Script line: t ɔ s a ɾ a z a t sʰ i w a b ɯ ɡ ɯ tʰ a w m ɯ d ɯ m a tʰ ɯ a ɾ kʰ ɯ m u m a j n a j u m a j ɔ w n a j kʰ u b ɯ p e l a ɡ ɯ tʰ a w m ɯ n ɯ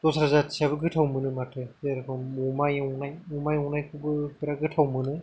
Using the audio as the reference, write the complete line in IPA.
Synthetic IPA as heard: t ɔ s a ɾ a z a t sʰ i a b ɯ ɡ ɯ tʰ a w m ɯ n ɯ m a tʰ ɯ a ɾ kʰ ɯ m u m a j n a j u m a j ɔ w n a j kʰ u b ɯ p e ɾ a ɡ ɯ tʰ a w m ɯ n ɯ